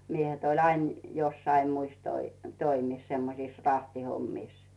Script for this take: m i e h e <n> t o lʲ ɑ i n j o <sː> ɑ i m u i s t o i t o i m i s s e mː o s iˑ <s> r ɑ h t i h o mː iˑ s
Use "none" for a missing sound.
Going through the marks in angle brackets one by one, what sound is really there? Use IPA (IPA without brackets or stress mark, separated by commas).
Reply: none, sː, s